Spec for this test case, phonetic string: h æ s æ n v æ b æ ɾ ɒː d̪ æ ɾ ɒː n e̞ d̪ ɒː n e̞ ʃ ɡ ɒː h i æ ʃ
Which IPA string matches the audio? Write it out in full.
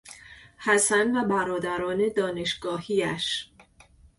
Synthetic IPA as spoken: h æ s æ n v æ b æ ɾ ɒː d̪ æ ɾ ɒː n e̞ d̪ ɒː n e̞ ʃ ɡ ɒː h i æ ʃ